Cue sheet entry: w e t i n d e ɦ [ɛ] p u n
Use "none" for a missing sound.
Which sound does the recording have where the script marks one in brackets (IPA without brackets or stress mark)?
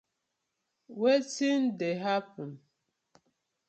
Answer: a